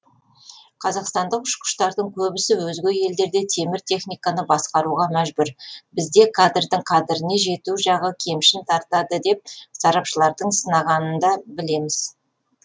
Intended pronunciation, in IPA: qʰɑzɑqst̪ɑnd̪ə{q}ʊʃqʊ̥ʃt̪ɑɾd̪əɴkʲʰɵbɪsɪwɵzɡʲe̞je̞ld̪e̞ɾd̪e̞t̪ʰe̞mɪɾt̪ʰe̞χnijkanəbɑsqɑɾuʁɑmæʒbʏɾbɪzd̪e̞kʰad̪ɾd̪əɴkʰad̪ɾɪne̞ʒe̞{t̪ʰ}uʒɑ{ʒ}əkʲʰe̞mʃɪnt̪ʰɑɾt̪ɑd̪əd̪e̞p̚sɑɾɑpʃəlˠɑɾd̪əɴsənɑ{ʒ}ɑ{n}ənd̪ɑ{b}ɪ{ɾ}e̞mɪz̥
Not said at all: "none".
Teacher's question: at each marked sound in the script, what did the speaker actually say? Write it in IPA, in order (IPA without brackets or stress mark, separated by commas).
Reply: q, t̪, ʁ, ʁ, n, b, l